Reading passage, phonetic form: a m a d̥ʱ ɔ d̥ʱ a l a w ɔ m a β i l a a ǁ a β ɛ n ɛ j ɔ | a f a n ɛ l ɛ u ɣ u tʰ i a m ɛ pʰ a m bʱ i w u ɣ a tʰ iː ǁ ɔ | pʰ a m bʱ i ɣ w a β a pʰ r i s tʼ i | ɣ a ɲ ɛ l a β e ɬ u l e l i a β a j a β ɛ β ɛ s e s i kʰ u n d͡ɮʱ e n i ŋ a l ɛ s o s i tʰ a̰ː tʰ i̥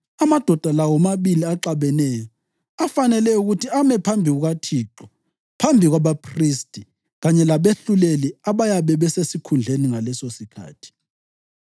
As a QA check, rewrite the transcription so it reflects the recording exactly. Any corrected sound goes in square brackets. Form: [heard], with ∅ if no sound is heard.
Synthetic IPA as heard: a m a d̥ʱ ɔ d̥ʱ a l a w ɔ m a β i l [i] a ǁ a β ɛ n ɛ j ɔ | a f a n ɛ l ɛ u ɣ u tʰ i a m ɛ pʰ a m bʱ i [ɣ] u ɣ a tʰ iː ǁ ɔ | pʰ a m bʱ i ɣ w a β a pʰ r i s tʼ i | ɣ a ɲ ɛ l a β e ɬ u l e l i a β a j a β ɛ β ɛ s e s i kʰ u n d͡ɮʱ e n i ŋ a l ɛ s o s i [kʰ] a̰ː tʰ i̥